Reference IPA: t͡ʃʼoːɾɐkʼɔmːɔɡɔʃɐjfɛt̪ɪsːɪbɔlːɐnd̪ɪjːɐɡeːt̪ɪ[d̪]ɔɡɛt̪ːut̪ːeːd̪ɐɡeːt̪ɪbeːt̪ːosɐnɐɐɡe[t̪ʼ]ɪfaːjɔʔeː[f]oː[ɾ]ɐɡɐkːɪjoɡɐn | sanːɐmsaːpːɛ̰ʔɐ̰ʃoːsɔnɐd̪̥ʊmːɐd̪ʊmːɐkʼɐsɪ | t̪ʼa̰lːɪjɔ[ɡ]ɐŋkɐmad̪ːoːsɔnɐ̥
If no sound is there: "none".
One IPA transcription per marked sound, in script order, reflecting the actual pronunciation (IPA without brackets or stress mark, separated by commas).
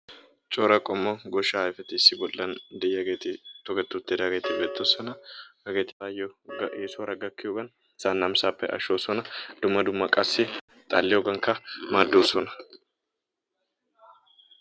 t̪, t̪, s, ɾ, ɡ